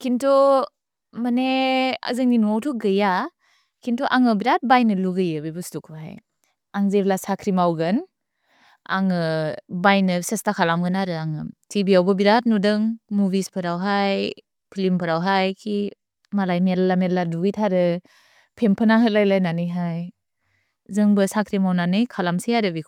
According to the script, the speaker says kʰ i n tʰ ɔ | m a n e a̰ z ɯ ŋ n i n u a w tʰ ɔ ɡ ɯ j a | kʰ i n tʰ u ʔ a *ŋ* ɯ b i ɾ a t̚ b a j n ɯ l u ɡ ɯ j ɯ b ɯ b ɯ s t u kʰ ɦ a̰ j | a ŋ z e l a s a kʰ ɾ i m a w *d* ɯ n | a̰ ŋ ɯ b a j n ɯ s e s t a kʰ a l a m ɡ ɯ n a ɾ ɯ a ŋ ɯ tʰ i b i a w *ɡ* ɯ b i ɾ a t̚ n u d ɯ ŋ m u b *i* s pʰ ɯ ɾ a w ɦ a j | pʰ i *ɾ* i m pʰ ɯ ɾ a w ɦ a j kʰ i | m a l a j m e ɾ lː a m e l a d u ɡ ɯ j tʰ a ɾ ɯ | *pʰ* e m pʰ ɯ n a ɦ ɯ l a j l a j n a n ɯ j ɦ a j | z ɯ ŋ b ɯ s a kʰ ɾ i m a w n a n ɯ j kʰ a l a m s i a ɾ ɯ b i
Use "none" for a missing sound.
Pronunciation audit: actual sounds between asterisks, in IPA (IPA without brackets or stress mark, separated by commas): ŋ, ɡ, b, i, l, pʰ